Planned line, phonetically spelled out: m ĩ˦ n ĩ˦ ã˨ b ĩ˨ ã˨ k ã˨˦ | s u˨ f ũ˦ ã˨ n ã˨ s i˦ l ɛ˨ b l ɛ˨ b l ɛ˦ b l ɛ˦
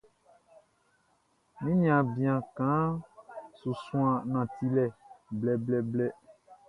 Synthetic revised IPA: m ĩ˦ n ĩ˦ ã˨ b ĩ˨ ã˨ k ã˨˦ | s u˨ s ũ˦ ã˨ n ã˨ t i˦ l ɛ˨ b l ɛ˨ b l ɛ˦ b l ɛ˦